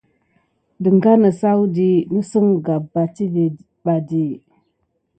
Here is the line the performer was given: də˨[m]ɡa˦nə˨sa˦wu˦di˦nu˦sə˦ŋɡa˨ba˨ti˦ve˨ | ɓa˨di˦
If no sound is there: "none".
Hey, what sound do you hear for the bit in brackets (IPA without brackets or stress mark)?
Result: ŋ